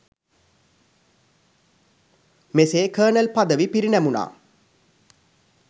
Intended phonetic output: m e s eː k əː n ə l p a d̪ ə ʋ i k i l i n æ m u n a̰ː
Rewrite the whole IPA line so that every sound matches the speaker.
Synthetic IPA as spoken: m e s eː k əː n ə l p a d̪ ə ʋ i p i ɾ i n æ m u n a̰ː